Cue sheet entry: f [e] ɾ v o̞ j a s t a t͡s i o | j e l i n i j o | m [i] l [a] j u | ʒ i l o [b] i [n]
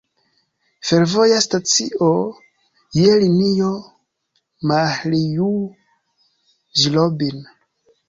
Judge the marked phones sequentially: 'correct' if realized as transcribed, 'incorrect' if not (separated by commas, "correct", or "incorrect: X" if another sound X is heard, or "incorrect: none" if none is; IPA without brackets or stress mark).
correct, incorrect: a, incorrect: i, correct, correct